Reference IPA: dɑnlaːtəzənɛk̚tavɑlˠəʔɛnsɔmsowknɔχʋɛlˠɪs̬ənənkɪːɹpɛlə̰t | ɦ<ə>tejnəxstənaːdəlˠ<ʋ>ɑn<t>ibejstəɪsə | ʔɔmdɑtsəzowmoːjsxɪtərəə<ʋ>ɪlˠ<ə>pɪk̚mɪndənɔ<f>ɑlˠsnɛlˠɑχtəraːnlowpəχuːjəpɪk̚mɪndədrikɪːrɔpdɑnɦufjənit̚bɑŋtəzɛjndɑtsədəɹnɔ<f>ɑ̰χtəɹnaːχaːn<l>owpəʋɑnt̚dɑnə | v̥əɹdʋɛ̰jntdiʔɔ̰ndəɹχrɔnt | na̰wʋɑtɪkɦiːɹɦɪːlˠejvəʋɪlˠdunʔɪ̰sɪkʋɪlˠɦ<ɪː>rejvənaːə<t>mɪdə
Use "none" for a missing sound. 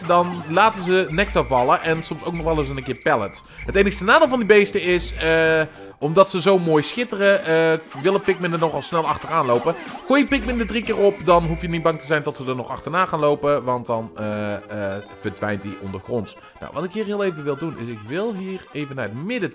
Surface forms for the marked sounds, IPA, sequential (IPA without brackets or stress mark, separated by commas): ə, v, d, ʋ, ə, χ, χ, l, iː, t